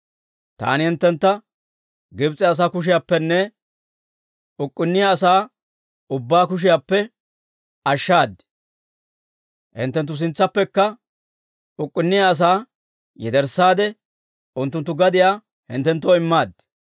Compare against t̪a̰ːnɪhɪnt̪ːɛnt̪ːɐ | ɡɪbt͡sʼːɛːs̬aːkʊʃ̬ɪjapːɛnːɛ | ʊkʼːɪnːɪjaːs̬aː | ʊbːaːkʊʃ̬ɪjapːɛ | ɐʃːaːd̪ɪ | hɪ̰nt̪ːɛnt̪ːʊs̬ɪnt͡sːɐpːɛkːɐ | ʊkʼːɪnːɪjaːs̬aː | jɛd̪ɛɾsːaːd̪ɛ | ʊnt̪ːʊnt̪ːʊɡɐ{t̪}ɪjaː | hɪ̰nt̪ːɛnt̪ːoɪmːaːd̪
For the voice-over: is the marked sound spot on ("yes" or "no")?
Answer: no